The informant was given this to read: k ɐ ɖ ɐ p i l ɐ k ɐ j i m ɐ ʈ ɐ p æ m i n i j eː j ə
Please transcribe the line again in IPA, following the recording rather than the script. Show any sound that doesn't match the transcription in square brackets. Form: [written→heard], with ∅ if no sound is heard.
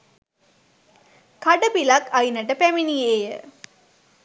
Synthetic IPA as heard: k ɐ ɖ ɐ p i l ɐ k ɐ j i [m→n] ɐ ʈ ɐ p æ m i n i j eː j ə